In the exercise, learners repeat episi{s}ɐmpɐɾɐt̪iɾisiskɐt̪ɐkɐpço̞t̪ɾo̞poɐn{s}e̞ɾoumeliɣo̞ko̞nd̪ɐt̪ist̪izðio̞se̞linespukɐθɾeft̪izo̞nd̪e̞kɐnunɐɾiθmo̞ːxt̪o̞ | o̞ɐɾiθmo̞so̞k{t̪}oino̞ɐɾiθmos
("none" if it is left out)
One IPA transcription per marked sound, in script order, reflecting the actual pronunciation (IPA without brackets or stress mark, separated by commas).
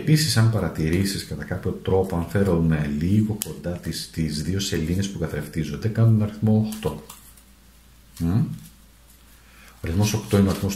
s, f, t̪